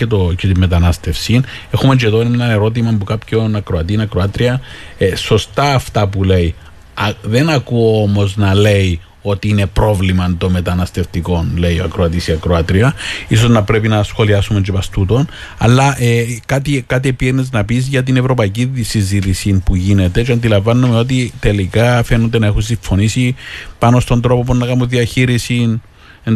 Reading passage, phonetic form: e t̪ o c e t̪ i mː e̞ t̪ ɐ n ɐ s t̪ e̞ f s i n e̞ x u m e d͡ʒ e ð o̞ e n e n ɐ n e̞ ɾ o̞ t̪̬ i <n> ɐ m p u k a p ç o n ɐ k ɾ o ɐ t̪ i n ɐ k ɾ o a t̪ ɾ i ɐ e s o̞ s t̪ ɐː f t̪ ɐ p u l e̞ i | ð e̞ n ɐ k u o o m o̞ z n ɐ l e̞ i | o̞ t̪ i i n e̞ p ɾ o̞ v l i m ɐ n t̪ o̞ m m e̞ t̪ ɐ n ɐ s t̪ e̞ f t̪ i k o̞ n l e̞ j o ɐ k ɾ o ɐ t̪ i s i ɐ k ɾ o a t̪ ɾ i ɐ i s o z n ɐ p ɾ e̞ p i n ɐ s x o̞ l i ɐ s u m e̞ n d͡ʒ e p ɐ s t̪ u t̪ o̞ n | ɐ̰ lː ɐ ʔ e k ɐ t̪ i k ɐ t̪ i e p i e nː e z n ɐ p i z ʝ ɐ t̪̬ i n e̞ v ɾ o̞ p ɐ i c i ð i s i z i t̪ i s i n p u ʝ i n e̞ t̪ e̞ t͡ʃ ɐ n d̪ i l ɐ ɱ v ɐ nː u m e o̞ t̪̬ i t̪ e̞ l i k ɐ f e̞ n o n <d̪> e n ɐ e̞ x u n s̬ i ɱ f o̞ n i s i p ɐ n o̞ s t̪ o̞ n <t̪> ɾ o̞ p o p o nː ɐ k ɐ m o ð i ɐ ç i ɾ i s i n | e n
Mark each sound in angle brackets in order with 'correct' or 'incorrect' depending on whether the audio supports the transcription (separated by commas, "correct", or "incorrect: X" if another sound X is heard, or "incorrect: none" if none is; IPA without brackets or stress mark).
incorrect: m, correct, incorrect: d̪